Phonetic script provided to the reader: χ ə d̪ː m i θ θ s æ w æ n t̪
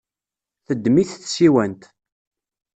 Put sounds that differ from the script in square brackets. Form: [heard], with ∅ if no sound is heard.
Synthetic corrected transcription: [θ] ə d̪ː m i θ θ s [i] w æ n t̪